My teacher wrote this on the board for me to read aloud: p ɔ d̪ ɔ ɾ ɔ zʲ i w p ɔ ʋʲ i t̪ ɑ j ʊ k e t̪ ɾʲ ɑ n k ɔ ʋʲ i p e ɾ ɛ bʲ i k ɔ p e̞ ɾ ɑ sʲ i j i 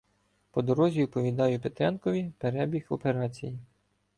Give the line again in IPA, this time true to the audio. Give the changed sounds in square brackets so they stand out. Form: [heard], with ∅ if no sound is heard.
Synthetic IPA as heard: p ɔ d̪ ɔ ɾ ɔ zʲ i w p ɔ ʋʲ i [d̪] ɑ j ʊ [p] e t̪ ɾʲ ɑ n k ɔ ʋʲ i p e ɾ ɛ bʲ i [x] ɔ p e̞ ɾ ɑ [t͡sʲ] i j i